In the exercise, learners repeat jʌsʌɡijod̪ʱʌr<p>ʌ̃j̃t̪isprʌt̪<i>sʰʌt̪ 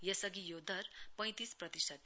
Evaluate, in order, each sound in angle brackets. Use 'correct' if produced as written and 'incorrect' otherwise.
correct, correct

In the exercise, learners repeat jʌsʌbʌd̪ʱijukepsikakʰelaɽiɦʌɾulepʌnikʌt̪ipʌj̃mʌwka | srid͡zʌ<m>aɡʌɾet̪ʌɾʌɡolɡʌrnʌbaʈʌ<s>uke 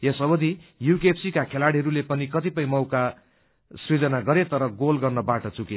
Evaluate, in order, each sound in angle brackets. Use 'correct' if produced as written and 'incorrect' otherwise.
incorrect, incorrect

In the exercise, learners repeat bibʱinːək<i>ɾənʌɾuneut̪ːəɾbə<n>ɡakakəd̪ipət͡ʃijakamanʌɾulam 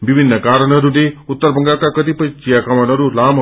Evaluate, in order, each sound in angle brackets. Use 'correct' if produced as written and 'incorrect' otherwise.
incorrect, incorrect

